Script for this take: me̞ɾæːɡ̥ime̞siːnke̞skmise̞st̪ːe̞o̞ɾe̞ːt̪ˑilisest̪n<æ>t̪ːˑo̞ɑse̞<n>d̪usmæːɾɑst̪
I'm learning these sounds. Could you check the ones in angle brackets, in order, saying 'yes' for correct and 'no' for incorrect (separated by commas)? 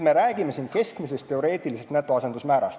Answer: yes, yes